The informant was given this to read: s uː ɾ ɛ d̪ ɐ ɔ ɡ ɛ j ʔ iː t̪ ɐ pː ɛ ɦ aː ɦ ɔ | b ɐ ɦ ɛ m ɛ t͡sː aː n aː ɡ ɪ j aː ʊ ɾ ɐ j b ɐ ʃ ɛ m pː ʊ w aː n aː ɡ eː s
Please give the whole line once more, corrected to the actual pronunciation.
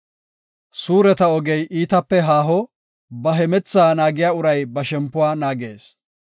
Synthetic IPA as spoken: s uː ɾ ɛ t̪ ɐ ɔ ɡ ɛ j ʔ iː t̪ ɐ pː ɛ ɦ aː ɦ ɔ | b ɐ ɦ ɛ m ɛ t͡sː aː n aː ɡ ɪ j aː ʊ ɾ ɐ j b ɐ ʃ ɛ m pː ʊ w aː n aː ɡ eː s